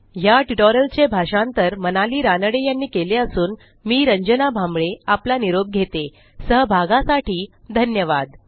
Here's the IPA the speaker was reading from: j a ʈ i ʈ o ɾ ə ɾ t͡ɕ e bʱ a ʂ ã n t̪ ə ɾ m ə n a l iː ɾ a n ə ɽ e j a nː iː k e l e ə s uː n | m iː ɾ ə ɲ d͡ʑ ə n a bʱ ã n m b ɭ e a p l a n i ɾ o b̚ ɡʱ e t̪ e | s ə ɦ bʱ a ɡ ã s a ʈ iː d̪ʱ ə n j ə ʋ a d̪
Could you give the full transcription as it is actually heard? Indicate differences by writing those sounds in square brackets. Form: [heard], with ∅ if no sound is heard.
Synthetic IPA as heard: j a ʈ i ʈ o ɾ ə [l] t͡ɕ e bʱ a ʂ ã n t̪ ə ɾ m ə n a l iː ɾ a n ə ɽ e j a nː iː k e l e ə s uː n | m iː ɾ ə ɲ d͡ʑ ə n a bʱ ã [∅] m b ɭ e a p l a n i ɾ o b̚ ɡʱ e t̪ e | s ə ɦ bʱ a ɡ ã s a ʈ iː d̪ʱ ə n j ə ʋ a d̪